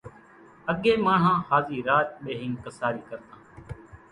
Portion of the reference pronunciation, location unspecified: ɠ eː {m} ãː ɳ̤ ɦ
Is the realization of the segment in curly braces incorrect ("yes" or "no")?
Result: no